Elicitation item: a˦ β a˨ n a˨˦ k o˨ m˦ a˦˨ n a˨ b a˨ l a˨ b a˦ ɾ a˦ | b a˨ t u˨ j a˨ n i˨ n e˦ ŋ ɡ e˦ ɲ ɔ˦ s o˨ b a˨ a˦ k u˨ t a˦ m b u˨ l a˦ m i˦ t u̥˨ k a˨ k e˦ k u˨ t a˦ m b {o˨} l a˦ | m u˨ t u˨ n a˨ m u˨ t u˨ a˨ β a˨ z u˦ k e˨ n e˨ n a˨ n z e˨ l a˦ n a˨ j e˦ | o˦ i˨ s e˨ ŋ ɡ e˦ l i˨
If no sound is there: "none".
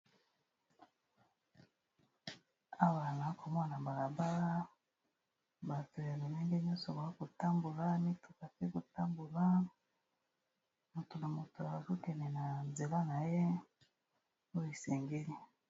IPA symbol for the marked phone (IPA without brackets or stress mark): u˨